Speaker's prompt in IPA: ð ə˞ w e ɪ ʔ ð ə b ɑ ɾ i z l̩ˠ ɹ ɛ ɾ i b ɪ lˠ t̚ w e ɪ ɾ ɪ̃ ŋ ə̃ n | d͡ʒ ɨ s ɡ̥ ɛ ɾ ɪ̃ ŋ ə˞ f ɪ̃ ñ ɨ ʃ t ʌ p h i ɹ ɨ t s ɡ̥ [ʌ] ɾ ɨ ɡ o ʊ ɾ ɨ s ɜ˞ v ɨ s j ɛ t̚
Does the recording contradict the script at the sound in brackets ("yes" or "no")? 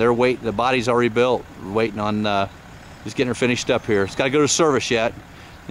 yes